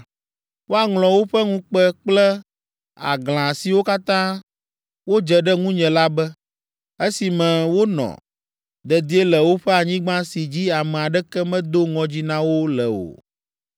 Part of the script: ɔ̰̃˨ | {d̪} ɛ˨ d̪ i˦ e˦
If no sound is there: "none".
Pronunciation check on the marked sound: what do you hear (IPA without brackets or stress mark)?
d̪